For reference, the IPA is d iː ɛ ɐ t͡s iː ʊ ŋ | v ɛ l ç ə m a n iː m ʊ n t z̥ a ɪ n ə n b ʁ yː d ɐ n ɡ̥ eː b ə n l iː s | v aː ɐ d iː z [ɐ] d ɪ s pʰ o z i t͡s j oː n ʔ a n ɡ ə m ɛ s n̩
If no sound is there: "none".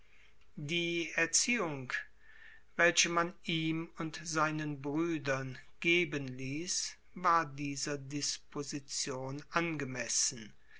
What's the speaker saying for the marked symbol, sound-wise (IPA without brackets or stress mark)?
ɐ